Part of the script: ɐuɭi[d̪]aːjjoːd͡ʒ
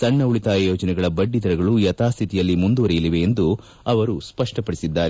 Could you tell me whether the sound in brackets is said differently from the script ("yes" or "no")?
yes